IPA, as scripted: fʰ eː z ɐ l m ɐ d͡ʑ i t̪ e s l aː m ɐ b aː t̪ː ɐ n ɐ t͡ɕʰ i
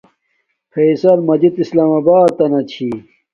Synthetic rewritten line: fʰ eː s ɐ l m ɐ d͡ʑ i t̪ i s l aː m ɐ b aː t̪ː ɐ n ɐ t͡ɕʰ i